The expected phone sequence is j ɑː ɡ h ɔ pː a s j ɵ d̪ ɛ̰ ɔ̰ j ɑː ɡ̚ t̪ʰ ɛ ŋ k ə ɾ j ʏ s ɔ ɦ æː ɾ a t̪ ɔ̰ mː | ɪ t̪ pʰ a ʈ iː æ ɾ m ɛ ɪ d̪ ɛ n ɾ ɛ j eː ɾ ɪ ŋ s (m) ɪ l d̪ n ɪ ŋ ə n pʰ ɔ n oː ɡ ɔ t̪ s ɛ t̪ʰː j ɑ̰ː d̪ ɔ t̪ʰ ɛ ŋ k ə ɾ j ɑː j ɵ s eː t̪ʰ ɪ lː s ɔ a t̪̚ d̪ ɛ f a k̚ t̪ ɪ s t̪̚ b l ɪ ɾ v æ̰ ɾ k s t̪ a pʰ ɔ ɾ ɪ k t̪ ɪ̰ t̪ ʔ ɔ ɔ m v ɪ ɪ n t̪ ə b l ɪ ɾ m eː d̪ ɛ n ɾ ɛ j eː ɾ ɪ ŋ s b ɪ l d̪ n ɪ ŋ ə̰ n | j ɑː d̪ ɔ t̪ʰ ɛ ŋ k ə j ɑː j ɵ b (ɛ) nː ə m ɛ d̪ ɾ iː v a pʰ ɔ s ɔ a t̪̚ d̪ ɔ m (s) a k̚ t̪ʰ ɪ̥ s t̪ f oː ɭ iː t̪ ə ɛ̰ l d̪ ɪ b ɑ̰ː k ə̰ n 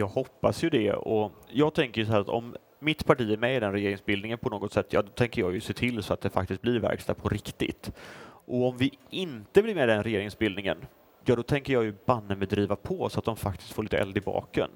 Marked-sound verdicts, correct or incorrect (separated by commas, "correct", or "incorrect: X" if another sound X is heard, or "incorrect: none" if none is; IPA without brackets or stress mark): incorrect: b, incorrect: a, incorrect: f